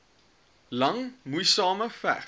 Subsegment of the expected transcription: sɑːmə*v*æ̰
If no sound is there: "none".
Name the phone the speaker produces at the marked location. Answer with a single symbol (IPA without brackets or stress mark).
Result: f